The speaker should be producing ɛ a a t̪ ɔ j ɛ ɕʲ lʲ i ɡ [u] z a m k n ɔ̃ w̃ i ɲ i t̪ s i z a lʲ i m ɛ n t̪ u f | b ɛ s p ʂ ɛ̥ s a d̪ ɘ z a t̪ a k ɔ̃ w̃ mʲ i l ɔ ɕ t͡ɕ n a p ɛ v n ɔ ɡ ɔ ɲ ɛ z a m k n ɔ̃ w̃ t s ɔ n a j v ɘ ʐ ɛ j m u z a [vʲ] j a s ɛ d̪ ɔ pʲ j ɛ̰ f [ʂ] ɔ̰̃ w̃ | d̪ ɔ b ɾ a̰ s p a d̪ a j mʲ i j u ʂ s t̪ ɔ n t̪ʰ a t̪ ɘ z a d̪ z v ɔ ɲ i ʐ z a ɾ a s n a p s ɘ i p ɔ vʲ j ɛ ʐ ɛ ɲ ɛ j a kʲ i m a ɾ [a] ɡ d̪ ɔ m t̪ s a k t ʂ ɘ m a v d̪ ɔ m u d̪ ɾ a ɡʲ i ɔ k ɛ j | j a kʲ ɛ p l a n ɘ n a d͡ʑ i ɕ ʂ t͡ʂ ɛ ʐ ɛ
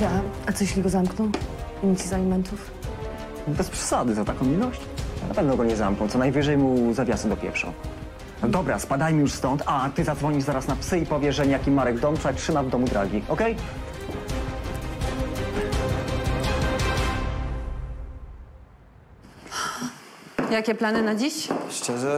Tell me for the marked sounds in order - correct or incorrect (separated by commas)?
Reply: incorrect, correct, correct, incorrect